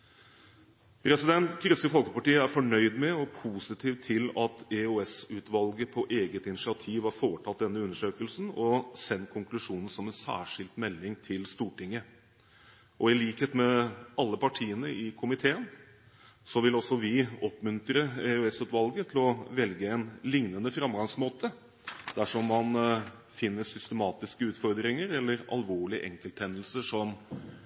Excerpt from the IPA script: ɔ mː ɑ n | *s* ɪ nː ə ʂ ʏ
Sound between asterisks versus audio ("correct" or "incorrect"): incorrect